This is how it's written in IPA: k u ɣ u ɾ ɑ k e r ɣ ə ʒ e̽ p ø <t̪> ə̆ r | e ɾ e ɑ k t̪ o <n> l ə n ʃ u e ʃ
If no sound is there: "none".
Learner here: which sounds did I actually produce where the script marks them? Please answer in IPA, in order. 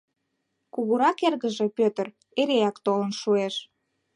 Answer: t̪, none

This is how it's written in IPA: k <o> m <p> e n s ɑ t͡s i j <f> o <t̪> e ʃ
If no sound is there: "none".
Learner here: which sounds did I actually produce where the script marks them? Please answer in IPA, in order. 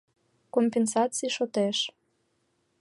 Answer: o, p, ʃ, t̪

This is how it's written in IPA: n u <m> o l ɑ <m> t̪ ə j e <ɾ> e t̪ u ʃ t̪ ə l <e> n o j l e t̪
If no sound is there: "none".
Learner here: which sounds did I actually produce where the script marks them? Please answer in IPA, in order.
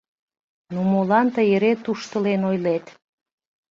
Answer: m, n, ɾ, e

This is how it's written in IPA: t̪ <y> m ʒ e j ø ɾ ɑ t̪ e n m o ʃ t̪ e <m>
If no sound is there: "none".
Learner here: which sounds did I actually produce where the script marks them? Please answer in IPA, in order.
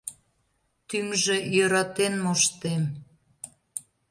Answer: y, m

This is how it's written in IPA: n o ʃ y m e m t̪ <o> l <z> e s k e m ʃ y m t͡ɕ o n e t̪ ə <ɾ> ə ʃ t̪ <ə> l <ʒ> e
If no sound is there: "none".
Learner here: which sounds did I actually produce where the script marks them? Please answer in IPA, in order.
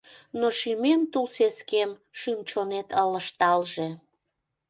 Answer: u, s, l, ɑ, ʒ

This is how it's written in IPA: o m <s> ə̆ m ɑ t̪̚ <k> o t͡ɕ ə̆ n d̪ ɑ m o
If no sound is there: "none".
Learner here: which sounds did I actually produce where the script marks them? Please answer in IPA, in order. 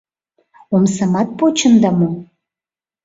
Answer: s, p

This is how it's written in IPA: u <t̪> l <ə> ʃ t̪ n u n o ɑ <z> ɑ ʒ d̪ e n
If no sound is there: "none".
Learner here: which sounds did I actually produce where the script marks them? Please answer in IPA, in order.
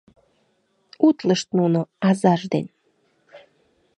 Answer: t̪, ə, z

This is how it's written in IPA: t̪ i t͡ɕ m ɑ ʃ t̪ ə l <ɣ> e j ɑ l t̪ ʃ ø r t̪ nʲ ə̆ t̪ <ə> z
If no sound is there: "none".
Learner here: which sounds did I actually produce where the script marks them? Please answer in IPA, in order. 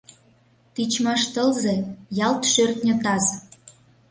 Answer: z, ɑ

